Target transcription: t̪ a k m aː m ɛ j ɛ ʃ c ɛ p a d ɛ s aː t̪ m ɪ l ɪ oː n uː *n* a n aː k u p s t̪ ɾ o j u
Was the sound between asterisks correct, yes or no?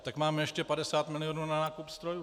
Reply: yes